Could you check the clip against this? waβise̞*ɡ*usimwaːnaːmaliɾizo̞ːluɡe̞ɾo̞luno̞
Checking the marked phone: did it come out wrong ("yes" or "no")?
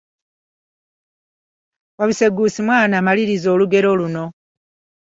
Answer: no